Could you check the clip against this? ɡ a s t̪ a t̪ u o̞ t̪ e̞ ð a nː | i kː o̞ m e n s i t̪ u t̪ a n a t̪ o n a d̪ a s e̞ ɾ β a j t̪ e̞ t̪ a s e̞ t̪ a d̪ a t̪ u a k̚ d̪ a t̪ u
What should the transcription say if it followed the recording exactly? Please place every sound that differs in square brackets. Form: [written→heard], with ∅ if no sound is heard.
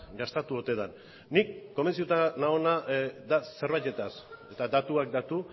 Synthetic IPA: ɡ a s t̪ a t̪ u o̞ t̪ e̞ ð a nː | i kː o̞ m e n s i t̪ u t̪ a n a [t̪→∅] o n a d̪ a s e̞ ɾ β a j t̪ e̞ t̪ a s e̞ t̪ a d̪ a t̪ u a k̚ d̪ a t̪ u